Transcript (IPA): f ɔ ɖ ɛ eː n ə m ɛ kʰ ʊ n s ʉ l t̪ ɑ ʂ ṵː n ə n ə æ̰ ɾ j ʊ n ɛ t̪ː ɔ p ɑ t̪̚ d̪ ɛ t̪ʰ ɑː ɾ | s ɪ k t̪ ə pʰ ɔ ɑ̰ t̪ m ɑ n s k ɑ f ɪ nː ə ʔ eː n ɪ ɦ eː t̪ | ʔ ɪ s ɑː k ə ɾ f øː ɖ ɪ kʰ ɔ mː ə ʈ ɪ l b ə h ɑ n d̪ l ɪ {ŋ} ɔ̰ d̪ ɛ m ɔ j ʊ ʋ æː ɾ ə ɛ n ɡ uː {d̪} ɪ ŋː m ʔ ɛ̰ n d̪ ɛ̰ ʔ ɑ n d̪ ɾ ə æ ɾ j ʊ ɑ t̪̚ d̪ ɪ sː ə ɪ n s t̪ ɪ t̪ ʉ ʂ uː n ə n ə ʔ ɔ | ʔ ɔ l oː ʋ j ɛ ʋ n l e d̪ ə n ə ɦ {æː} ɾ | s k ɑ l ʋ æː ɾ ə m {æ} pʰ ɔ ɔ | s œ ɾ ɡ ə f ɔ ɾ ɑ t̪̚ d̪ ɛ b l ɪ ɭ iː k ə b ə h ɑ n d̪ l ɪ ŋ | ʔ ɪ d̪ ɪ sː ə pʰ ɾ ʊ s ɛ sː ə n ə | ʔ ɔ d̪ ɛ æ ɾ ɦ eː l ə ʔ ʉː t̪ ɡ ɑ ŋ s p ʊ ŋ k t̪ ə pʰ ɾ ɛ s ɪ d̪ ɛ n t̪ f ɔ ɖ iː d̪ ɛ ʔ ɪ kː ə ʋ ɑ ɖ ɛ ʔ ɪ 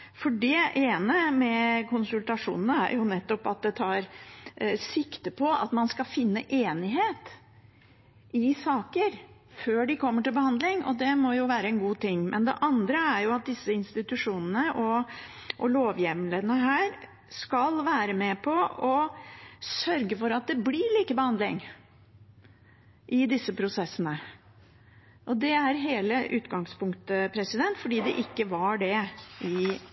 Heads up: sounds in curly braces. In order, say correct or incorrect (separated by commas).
correct, incorrect, correct, incorrect